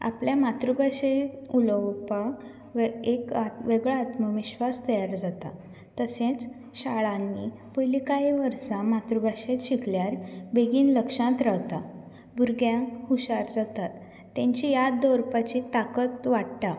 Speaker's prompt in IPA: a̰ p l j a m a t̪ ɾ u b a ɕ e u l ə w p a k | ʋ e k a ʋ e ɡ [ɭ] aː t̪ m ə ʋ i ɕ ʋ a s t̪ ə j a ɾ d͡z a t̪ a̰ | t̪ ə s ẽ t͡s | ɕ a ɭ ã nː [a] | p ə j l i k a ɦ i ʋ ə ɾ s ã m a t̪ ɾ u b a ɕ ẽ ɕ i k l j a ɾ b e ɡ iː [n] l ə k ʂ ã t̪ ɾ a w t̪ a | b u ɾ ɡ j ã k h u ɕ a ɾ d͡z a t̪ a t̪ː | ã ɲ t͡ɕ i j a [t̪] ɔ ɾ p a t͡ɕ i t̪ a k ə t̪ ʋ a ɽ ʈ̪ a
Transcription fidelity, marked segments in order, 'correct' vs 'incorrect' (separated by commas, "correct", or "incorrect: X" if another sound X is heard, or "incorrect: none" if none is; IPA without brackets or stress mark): correct, incorrect: i, correct, incorrect: d̪